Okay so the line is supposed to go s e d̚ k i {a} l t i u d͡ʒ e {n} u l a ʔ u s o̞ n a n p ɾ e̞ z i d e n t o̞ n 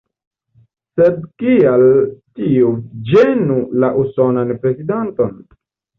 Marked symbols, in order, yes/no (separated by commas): yes, yes